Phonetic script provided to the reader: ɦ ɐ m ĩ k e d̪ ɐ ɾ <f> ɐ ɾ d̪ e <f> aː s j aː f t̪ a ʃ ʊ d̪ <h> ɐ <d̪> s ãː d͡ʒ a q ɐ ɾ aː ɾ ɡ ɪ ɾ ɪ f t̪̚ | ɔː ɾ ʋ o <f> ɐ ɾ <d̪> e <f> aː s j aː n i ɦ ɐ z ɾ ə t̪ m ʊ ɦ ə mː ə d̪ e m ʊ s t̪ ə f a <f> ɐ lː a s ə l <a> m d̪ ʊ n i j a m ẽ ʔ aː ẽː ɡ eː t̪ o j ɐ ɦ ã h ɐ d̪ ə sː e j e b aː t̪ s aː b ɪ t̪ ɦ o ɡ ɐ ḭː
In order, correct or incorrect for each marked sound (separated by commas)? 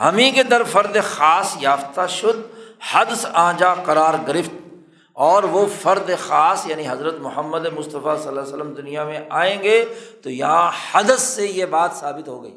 correct, incorrect, correct, correct, correct, correct, incorrect, incorrect, incorrect